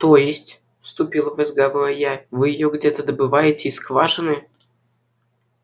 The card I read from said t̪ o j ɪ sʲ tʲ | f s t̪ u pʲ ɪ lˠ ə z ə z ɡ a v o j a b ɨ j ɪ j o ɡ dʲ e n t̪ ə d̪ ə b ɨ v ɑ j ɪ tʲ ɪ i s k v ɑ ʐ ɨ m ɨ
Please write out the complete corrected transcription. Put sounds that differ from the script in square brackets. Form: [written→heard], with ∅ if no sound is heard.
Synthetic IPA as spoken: t̪ o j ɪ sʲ tʲ | f s t̪ u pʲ [ɪ→i] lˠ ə [z→v] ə z ɡ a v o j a [b→v] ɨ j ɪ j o ɡ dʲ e [n→∅] t̪ ə d̪ ə b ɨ v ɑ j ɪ tʲ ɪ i s k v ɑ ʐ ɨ [m→n] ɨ